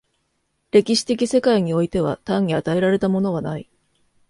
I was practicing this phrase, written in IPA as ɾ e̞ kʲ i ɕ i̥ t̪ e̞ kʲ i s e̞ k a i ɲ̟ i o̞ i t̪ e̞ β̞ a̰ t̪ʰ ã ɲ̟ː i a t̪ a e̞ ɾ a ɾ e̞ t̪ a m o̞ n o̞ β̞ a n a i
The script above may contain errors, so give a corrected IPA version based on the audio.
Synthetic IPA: ɾ e̞ kʲ i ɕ i̥ t̪ e̞ kʲ i s e̞ k a i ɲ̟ i o̞ i t̪ e̞ β̞ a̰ t̪ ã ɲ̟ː i a t̪ a e̞ ɾ a ɾ e̞ t̪ a m o̞ n o̞ β̞ a n a i